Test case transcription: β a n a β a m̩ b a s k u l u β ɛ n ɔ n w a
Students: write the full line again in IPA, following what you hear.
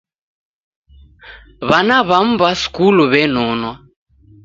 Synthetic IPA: β a n a β a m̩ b a s k u l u β ɛ n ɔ n w a